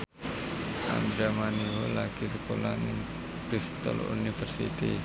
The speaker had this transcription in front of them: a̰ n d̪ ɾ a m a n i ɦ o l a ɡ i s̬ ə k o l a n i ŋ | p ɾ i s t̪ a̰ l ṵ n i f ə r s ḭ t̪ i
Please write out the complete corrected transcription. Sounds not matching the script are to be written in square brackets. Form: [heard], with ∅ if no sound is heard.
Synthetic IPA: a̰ n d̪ ɾ a m a n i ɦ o l a [k] i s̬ ə k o l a n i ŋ | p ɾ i s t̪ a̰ l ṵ n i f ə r s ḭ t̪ i

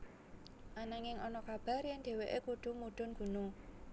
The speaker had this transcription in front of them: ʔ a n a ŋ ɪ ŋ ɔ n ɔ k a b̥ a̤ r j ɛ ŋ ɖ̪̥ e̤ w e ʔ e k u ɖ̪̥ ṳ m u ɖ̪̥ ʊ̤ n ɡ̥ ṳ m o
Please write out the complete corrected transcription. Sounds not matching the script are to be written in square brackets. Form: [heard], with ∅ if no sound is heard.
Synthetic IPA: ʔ a n a ŋ ɪ ŋ ɔ n ɔ k a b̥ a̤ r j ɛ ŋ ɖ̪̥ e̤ w e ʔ e k u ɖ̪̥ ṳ m u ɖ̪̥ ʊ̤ n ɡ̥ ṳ [n] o

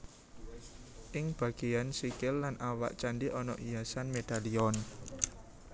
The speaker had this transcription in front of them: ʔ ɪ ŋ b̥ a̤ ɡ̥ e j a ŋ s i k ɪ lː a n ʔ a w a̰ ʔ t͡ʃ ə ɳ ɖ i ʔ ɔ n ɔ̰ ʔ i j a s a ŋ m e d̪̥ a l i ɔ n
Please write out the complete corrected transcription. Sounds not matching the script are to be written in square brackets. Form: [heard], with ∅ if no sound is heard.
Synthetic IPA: ʔ ɪ ŋ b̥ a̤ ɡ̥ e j a [n] s i k ɪ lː a n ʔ a w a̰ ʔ t͡ʃ [a] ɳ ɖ i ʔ ɔ n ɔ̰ ʔ i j a s a [n] m e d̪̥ a l i ɔ n

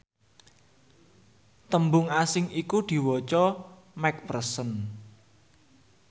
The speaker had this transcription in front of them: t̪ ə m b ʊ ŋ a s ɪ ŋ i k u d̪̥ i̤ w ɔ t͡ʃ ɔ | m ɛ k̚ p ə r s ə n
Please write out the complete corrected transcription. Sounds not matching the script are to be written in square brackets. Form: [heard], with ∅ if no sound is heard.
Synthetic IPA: t̪ ə m b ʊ ŋ a s ɪ ŋ i k u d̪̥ i̤ w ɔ t͡ʃ ɔ | m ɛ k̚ p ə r s ə n

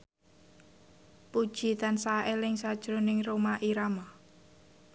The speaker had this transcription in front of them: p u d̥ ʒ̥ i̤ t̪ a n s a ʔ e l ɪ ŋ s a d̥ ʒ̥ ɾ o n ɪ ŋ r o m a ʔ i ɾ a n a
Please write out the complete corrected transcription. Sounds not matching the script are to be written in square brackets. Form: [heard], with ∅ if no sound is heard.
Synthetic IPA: p u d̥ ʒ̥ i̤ t̪ a n s a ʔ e l ɪ ŋ s a d̥ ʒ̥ ɾ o n ɪ ŋ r o m a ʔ i ɾ a [m] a

